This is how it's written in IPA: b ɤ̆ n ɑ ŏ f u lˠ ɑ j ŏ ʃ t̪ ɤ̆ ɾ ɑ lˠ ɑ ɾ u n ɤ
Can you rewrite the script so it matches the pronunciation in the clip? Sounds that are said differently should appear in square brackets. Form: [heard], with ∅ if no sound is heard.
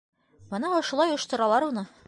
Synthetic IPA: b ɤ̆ n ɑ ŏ [ʃ] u lˠ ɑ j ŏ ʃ t̪ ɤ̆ ɾ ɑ lˠ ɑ ɾ u n ɤ